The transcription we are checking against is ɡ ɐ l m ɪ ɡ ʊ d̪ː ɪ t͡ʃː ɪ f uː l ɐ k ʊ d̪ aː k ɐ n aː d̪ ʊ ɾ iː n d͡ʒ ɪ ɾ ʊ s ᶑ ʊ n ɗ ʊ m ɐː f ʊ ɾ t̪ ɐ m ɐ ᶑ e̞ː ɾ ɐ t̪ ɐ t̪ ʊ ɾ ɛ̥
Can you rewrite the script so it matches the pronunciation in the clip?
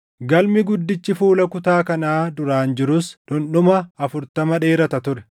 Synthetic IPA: ɡ ɐ l m ɪ ɡ ʊ d̪ː ɪ t͡ʃː ɪ f uː l ɐ k ʊ t̪ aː k ɐ n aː d̪ ʊ ɾ aː n d͡ʒ ɪ ɾ ʊ s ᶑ ʊ n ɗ ʊ m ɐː f ʊ ɾ t̪ ɐ m ɐ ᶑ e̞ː ɾ ɐ t̪ ɐ t̪ ʊ ɾ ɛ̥